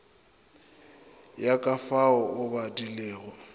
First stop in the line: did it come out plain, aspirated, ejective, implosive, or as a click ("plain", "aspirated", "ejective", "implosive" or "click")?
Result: ejective